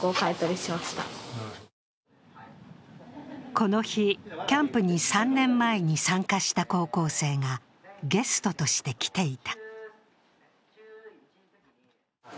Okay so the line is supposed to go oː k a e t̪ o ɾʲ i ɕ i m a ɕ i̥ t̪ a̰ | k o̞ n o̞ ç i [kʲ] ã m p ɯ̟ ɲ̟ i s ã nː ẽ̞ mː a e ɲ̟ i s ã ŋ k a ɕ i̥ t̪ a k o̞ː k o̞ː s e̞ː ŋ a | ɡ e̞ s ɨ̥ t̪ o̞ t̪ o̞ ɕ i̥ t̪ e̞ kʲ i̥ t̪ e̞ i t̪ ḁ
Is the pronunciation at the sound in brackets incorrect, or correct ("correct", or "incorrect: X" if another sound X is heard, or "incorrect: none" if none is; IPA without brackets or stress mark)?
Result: correct